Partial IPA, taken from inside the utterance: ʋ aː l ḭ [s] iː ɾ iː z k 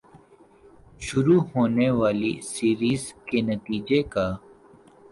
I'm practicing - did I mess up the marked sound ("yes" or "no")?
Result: no